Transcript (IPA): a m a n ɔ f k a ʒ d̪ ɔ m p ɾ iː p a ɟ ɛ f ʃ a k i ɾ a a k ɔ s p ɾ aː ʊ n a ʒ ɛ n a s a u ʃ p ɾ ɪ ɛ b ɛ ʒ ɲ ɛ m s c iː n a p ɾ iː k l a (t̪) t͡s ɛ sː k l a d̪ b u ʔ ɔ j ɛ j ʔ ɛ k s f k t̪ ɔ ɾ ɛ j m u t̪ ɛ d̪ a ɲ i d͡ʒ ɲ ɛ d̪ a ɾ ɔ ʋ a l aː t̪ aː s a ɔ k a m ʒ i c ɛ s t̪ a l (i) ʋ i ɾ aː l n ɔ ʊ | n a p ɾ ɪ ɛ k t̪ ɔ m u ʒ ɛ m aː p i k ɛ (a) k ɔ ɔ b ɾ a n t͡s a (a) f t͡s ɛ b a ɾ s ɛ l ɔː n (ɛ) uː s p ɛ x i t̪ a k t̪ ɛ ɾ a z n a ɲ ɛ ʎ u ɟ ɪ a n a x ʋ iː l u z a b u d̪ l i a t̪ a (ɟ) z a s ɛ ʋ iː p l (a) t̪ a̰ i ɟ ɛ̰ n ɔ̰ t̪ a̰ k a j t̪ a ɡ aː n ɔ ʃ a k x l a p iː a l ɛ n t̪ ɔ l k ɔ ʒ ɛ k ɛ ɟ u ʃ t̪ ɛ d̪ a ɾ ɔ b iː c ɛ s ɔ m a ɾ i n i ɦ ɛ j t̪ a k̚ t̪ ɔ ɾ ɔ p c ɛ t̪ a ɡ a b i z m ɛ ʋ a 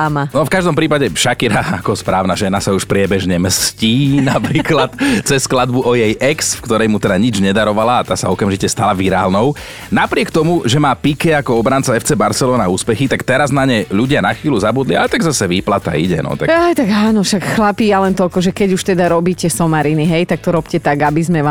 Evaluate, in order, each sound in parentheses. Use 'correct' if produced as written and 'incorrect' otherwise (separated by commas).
correct, incorrect, correct, incorrect, incorrect, incorrect, correct